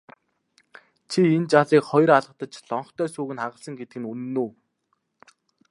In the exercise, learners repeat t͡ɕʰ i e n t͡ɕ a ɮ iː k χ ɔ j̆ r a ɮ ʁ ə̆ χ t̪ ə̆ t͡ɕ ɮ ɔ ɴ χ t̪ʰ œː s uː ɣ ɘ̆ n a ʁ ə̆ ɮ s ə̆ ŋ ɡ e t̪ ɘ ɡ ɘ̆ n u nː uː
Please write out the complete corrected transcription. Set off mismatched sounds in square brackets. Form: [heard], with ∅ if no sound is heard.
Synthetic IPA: t͡ɕʰ i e n t͡ɕ a ɮ iː k χ ɔ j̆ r a ɮ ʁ ə̆ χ t̪ ə̆ t͡ɕ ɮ ɔ ɴ χ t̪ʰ œː s uː ɣ ɘ̆ n a ʁ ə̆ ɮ s ə̆ ŋ ɡ e t̪ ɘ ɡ ɘ̆ n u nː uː